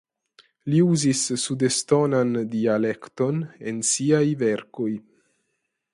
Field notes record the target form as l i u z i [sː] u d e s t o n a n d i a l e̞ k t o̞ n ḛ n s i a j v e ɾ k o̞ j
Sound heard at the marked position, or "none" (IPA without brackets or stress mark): sː